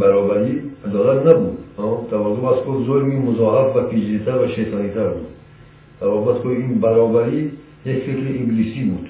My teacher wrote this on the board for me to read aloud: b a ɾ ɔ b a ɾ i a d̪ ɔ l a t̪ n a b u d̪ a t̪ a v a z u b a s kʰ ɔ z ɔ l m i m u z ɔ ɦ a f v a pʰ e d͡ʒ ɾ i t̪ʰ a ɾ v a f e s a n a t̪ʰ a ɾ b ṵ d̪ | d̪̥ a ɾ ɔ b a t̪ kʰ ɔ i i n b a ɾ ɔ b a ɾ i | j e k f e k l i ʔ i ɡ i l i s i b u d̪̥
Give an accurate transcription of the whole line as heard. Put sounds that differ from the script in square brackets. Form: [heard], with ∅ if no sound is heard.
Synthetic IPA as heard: b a ɾ ɔ b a ɾ i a d̪ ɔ l a t̪ n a b u d̪ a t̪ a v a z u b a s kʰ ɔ z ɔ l m i m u z ɔ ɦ a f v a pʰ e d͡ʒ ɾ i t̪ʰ a ɾ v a [ʃ] e s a n [i] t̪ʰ a ɾ b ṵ d̪ | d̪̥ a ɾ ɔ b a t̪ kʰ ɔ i i n b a ɾ ɔ b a ɾ i | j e k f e k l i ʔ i ɡ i l i s i b u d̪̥